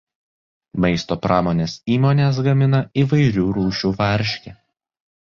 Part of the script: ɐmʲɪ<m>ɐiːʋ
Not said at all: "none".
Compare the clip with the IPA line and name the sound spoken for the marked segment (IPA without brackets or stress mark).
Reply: n